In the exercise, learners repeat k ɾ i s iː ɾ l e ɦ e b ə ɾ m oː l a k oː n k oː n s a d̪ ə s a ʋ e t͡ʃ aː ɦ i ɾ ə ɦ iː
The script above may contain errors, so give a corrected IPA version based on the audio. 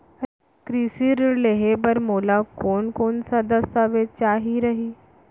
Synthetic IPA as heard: k ɾ i s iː ɾ l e ɦ e b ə ɾ m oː l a k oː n k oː n s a d̪ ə s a ʋ e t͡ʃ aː ɦ i ɾ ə ɦ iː